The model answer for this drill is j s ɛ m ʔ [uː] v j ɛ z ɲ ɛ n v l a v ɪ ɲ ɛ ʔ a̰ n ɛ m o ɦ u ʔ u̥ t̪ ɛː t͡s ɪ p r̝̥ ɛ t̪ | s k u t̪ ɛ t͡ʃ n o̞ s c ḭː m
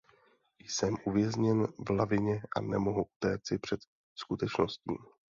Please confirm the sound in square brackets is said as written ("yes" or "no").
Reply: no